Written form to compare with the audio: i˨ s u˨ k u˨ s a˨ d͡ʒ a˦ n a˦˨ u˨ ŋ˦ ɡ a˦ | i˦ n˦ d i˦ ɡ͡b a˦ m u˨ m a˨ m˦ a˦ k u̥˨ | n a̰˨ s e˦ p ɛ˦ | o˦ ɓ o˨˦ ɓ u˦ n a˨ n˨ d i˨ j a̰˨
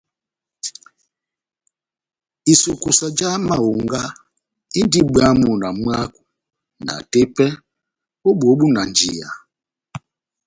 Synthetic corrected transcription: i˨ s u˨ k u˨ s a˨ d͡ʒ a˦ m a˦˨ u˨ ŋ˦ ɡ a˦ | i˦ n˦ d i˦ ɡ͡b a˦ m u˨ n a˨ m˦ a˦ k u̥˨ | n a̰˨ t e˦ p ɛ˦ | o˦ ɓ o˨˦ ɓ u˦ n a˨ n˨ d͡ʒ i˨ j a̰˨